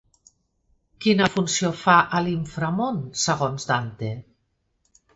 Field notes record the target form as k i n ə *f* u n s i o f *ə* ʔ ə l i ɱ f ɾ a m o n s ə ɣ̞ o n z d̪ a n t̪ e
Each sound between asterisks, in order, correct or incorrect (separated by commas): correct, incorrect